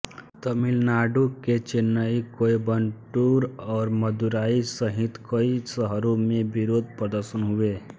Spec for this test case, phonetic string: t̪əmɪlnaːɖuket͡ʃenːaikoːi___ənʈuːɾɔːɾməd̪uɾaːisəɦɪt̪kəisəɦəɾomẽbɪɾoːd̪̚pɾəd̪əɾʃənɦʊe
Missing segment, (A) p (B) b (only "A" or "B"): B